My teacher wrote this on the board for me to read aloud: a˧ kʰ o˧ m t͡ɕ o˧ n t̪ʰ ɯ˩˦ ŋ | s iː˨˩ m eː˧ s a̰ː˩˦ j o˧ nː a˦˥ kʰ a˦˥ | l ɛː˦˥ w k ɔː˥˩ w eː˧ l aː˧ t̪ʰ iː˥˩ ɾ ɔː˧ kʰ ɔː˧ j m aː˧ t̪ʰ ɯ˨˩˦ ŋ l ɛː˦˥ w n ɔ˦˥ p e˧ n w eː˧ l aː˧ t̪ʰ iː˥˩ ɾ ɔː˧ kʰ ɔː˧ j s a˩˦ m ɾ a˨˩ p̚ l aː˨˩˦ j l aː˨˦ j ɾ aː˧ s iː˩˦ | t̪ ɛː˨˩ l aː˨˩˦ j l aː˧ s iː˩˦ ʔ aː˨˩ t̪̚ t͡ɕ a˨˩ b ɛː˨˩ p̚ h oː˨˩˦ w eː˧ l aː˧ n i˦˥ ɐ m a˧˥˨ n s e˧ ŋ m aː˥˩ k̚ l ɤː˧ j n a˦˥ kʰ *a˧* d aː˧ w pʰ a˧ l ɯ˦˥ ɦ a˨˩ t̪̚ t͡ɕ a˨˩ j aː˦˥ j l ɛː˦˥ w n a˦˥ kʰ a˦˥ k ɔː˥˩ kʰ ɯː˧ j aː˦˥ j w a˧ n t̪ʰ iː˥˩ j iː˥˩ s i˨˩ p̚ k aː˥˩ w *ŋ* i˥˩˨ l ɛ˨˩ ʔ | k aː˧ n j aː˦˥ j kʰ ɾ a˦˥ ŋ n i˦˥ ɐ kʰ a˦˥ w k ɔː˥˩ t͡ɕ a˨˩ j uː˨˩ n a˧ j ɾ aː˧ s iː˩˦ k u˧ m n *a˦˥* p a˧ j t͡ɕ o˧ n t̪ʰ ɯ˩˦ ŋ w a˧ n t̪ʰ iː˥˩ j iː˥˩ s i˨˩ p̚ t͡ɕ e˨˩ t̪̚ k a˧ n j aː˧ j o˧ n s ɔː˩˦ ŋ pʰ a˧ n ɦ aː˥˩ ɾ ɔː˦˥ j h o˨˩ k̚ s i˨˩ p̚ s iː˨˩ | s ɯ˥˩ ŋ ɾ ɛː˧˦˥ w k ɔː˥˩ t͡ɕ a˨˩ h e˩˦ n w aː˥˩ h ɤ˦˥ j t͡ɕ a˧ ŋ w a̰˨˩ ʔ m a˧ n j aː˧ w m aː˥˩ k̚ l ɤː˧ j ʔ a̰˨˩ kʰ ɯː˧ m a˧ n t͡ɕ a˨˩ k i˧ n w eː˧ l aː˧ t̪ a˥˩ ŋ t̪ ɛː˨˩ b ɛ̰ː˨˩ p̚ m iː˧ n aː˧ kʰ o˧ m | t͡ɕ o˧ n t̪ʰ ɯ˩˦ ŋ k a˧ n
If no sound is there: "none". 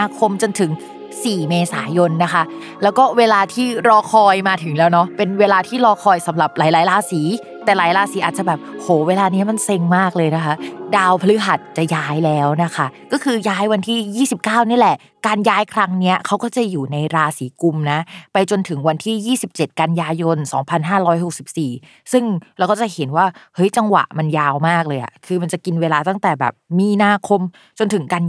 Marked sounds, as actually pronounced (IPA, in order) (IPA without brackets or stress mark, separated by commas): a˦˥, n, a˦˥